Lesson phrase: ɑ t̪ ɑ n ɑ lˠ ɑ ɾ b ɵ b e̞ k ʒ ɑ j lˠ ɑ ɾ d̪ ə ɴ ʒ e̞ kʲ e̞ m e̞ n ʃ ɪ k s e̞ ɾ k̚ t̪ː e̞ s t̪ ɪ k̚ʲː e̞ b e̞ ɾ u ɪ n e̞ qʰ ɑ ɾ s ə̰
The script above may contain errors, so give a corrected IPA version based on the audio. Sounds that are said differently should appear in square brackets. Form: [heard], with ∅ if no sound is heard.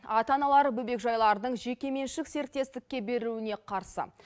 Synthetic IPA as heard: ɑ t̪ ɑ n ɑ lˠ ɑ ɾ b ɵ b e̞ k ʒ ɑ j lˠ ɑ ɾ d̪ ə ɴ ʒ e̞ kʲ e̞ m e̞ n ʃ ɪ k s e̞ ɾ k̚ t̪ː e̞ s t̪ ɪ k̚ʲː e̞ b e̞ ɾ u ɪ n e̞ qʰ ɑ ɾ s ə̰